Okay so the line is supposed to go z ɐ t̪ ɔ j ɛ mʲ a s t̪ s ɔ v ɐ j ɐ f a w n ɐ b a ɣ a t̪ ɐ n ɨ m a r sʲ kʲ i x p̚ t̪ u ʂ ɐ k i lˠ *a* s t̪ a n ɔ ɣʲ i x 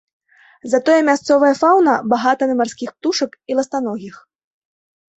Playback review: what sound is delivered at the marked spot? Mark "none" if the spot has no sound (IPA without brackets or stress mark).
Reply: ɐ